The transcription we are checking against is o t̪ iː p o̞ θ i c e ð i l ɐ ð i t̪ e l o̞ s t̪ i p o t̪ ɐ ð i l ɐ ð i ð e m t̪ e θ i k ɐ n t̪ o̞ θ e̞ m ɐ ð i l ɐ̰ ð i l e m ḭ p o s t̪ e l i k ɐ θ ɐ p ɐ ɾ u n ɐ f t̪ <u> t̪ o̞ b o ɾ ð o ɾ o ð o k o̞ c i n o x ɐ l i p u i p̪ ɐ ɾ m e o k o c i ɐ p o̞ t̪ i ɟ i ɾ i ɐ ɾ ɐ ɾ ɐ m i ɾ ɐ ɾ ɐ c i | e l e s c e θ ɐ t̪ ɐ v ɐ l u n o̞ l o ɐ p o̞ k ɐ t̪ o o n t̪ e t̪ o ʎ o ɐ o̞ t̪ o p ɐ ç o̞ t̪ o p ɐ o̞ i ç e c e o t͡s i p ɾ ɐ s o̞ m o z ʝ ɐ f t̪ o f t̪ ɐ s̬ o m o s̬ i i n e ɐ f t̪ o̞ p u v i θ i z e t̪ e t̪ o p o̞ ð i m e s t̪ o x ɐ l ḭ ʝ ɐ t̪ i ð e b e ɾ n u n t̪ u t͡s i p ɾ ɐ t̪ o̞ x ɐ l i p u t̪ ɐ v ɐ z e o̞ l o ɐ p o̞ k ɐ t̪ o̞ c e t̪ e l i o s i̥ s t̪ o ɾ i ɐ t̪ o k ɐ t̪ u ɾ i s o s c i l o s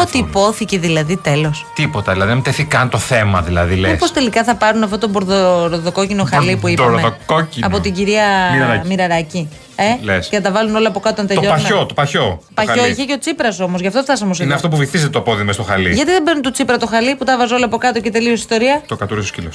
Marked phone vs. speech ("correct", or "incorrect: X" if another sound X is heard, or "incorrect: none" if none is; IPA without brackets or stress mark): incorrect: o